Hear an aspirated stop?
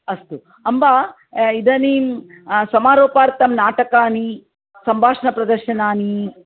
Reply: no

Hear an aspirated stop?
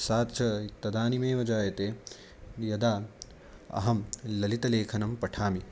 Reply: yes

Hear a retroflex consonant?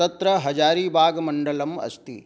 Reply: yes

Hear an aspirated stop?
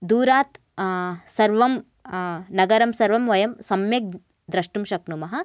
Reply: no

